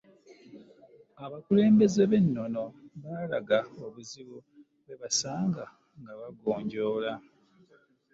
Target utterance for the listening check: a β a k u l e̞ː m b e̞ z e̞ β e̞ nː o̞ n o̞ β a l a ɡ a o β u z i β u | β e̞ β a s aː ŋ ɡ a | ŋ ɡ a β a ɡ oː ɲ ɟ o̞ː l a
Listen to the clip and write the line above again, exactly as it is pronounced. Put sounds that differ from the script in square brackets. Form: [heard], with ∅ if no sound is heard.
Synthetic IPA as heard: a β a k u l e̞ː m b e̞ z e̞ β e̞ nː o̞ n o̞ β a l a ɡ a o β u z i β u | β e̞ β a s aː ŋ ɡ a | ŋ ɡ a β a ɡ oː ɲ ɟ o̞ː l a